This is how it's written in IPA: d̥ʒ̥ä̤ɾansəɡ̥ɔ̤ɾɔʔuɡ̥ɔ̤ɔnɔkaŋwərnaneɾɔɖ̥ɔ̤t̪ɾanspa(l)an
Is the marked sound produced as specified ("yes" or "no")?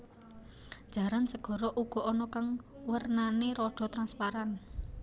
no